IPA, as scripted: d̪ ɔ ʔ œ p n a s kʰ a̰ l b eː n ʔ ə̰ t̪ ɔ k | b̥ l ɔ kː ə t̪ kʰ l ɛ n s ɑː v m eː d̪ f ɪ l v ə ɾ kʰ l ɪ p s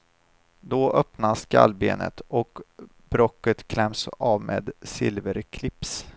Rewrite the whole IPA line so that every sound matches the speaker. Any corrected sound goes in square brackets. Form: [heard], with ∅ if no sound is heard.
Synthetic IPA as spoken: d̪ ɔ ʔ œ p n a s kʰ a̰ l b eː n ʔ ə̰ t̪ ɔ k | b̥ [ɾ] ɔ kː ə t̪ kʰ l ɛ [m] s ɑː v m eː d̪ [s] ɪ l v ə ɾ kʰ l ɪ p s